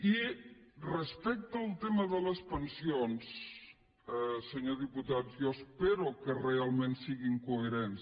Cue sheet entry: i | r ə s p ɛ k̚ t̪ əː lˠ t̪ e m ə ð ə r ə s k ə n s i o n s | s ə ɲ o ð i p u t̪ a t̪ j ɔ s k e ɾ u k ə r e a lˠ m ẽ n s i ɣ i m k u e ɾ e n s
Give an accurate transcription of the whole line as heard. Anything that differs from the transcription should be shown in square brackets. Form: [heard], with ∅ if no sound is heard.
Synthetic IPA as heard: i | r ə s p ɛ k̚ t̪ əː lˠ t̪ e m ə ð ə [l] ə s [p] ə n s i o n s | s ə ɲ o ð i p u t̪ a t̪ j ɔ s [p] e ɾ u k ə r e a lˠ m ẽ n s i ɣ i [ŋ] k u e ɾ e n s